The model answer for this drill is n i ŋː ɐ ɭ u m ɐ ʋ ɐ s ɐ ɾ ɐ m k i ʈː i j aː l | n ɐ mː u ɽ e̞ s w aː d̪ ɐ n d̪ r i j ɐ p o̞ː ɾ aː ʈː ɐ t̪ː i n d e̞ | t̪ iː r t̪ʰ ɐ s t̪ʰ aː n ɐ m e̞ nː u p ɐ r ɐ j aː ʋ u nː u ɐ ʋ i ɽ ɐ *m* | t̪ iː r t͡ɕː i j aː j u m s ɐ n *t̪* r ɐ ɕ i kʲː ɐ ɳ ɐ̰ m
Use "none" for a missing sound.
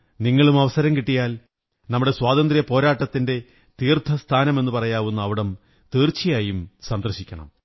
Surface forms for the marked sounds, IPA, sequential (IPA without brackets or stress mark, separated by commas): m, d̪